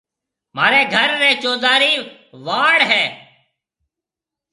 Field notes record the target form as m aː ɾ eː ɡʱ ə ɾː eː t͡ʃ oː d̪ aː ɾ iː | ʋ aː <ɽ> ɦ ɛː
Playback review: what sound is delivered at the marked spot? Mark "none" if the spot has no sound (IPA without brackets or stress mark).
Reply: ɽ